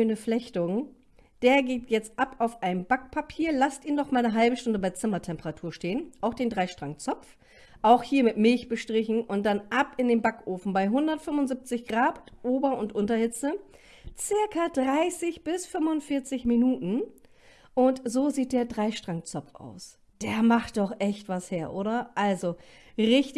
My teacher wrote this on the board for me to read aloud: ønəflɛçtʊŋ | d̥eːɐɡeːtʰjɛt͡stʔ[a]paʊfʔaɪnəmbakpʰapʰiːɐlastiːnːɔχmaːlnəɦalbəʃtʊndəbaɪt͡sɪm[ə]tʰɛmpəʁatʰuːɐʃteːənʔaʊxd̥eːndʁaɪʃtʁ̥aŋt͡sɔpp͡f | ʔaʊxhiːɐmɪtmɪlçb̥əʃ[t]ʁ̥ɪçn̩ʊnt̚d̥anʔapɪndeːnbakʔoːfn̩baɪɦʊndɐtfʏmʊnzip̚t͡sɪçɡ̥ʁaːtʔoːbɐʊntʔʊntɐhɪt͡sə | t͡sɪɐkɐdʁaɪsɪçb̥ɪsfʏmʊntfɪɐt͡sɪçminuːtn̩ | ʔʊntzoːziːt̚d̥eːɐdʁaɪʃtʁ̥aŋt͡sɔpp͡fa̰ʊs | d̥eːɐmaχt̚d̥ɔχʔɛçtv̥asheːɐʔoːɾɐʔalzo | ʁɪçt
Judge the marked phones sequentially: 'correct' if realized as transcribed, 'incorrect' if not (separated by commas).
correct, incorrect, correct